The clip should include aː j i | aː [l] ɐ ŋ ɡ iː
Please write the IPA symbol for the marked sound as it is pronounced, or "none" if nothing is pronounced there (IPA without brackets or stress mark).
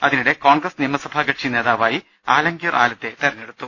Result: l